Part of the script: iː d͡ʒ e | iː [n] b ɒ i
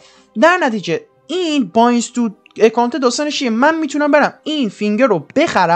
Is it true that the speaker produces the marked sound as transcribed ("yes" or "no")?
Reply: yes